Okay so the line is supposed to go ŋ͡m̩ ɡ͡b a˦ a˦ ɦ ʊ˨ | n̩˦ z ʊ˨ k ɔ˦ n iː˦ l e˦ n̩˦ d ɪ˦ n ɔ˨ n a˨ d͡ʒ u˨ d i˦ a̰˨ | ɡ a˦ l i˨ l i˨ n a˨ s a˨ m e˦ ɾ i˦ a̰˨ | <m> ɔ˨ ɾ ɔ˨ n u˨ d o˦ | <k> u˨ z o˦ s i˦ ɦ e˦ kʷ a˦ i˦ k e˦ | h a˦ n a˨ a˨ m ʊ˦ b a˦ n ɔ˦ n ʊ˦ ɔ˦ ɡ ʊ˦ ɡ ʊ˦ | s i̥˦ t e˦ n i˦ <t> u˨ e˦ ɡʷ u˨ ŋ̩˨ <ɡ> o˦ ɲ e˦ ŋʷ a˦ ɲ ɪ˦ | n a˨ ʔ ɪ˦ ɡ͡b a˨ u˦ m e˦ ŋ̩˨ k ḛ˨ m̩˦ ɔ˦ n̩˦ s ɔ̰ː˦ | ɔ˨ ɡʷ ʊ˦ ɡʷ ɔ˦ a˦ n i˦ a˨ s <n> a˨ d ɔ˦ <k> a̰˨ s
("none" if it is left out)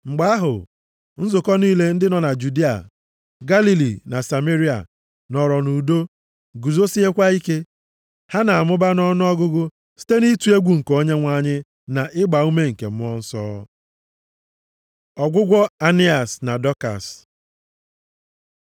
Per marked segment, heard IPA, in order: n, ɡ, t, k, n, k

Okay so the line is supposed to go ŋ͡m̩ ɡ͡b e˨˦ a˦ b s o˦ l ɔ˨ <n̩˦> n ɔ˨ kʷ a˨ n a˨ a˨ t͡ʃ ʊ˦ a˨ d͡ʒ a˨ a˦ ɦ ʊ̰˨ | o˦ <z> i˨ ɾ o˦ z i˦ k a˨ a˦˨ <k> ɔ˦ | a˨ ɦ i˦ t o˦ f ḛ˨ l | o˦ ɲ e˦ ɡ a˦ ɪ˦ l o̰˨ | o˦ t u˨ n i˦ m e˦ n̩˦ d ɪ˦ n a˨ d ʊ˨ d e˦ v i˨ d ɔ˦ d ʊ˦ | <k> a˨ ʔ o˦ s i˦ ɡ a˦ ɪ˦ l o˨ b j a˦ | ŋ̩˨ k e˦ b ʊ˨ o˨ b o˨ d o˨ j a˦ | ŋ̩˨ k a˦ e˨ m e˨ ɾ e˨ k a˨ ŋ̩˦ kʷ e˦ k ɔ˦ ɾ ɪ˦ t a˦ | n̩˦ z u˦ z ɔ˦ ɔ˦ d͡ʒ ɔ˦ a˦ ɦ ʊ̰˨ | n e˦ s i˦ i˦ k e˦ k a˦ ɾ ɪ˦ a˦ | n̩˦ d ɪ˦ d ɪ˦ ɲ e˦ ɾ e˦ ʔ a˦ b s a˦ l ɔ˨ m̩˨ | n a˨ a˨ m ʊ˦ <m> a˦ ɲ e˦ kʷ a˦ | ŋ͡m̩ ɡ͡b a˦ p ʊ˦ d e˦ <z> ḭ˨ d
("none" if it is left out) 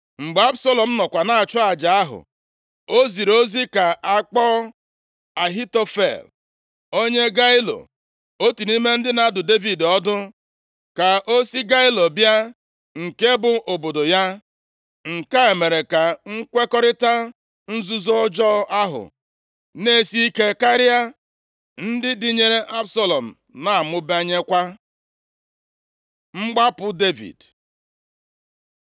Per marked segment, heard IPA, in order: m̩˦, z, k͡p, k, b, v

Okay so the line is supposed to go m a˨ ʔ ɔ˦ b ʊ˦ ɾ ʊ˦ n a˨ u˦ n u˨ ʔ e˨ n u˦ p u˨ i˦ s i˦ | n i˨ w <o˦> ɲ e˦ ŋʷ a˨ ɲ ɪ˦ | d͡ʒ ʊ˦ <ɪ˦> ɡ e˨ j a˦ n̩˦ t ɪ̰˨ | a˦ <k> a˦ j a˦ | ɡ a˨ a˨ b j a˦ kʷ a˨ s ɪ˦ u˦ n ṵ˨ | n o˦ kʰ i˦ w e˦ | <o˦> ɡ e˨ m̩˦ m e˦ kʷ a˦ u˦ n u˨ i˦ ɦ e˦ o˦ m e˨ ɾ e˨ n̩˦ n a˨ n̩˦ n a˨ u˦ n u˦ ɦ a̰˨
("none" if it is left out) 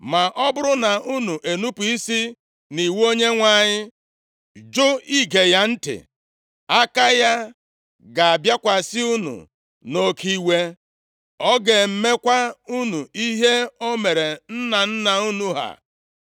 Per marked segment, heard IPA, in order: o˦, i˦, k, ɔ˦

